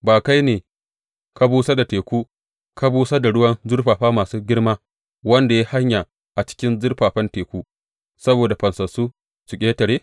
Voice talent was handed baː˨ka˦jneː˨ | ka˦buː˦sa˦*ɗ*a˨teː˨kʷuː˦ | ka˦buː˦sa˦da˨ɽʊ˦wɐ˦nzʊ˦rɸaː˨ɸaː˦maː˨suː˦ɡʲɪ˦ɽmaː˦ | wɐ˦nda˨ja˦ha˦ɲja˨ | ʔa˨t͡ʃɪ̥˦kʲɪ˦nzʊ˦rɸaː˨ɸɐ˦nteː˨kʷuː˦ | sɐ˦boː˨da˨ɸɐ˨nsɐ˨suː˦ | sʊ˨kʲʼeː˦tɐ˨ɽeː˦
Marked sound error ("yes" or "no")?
yes